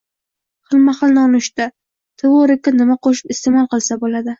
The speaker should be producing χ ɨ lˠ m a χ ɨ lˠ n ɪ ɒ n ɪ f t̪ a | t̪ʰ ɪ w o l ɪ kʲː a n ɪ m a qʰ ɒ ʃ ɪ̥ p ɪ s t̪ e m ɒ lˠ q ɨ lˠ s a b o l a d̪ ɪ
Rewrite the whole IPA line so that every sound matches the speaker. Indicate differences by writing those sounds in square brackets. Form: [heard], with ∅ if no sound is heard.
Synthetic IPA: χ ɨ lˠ m a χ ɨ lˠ n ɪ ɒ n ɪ [ʃ] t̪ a | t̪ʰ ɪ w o [ɾ] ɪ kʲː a n ɪ m a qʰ [o] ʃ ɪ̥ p ɪ s t̪ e m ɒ lˠ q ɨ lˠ s a b o l a d̪ ɪ